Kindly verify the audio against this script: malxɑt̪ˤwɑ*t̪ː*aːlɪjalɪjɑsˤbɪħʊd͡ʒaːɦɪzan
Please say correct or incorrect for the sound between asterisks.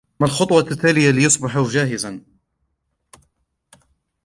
correct